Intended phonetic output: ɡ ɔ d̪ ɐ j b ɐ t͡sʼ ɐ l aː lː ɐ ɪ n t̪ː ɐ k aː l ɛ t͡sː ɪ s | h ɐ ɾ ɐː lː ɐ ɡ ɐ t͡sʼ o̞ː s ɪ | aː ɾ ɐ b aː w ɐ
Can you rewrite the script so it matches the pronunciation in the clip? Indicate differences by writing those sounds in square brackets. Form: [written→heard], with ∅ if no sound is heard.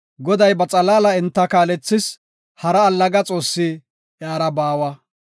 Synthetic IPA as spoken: ɡ ɔ d̪ ɐ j b ɐ t͡sʼ ɐ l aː [lː→l] ɐ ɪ n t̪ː ɐ k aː l ɛ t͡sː ɪ s | h ɐ ɾ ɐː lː ɐ ɡ ɐ t͡sʼ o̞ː [s→sː] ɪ | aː ɾ ɐ b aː w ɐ